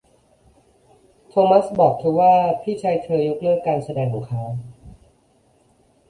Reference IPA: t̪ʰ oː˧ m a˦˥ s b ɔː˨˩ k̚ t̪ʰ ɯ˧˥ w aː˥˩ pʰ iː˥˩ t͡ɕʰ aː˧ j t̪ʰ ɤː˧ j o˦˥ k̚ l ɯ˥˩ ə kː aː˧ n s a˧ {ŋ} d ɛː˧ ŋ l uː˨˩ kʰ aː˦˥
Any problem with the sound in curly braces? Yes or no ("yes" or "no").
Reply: yes